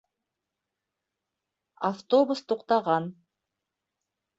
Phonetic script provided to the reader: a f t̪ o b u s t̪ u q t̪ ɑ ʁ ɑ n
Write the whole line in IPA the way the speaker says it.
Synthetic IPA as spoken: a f t̪ o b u s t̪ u q t̪ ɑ ʁ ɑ n